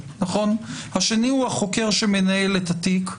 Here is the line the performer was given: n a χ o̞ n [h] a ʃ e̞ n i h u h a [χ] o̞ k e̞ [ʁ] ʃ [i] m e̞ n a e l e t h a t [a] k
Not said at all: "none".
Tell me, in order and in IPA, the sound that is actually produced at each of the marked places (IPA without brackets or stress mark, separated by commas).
h, χ, ʁ, e, i